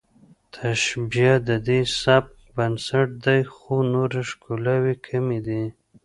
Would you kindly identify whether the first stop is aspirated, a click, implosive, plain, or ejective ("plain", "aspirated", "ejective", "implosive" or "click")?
aspirated